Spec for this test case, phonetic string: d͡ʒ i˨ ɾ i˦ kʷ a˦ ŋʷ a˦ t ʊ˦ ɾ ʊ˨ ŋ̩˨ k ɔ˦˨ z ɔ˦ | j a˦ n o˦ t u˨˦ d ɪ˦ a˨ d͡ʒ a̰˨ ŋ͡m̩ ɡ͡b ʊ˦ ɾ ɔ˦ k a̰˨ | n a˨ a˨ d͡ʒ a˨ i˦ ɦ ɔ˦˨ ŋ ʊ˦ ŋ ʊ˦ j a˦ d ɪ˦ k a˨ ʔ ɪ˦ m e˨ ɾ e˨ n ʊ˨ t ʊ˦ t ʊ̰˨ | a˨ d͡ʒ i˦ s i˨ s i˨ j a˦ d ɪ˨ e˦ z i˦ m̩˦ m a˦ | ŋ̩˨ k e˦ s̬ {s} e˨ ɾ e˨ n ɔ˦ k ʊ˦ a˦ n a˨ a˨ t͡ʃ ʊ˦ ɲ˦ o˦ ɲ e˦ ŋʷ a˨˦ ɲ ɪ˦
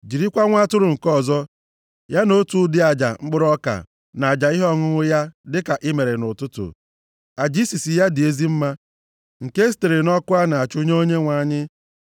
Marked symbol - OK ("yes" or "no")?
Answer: no